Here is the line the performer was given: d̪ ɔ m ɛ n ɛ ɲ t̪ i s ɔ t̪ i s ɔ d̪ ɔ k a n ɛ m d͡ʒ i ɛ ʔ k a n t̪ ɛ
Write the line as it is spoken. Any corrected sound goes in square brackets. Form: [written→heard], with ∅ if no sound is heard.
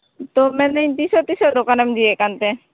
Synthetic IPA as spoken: [d̪→t̪] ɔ m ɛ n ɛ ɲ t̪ i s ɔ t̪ i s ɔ d̪ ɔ k a n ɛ m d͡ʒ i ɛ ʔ k a n t̪ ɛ